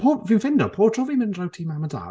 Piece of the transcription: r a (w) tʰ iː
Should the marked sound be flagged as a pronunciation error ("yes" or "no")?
no